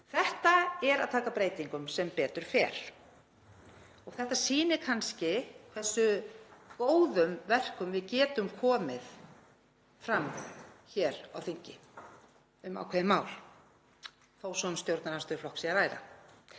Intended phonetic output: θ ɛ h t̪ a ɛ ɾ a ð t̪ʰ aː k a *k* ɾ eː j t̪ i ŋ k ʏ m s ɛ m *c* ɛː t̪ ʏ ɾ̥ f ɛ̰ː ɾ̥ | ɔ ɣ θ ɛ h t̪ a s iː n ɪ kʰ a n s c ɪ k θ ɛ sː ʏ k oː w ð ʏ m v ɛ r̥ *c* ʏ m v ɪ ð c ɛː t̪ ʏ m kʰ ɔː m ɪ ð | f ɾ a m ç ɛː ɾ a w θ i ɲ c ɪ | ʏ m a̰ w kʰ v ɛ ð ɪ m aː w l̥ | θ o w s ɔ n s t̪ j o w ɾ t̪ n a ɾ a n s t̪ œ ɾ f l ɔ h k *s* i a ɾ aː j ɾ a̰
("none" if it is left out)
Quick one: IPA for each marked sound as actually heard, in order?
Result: p, p, k, s

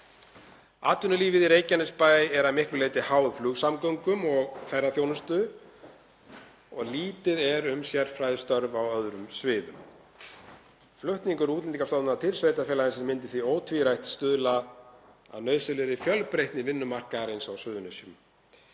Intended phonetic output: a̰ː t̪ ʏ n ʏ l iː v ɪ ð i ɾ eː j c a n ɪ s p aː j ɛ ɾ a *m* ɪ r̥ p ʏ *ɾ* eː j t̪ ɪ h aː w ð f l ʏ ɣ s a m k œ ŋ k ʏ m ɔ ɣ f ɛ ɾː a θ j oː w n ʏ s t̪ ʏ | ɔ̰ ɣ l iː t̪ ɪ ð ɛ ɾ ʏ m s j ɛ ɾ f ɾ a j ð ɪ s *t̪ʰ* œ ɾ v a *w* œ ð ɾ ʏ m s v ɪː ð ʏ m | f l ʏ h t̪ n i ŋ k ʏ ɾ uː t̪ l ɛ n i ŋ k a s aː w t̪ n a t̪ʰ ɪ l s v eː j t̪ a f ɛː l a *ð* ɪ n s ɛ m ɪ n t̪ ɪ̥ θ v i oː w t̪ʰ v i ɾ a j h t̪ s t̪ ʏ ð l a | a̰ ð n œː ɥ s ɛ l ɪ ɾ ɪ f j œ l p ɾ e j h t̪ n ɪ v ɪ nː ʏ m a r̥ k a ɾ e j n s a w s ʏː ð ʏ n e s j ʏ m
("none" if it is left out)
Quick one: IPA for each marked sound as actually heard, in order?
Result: m, l, t̪, w, ð

